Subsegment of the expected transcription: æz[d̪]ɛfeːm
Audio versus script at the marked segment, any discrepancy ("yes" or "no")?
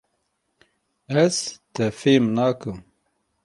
yes